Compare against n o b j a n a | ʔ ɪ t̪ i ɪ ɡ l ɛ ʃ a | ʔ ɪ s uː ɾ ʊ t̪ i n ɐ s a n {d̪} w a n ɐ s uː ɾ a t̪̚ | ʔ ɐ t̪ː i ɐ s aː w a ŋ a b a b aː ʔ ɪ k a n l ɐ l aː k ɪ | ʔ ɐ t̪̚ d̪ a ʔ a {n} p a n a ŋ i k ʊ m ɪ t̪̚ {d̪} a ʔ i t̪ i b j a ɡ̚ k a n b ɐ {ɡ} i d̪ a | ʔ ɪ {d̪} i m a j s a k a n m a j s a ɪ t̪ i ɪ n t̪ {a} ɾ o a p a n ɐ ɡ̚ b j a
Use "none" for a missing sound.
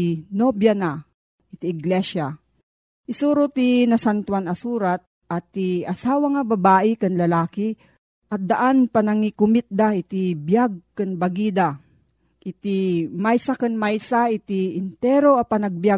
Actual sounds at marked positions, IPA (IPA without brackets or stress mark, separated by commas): t̪, n, d̪, ɡ, t̪, ɛ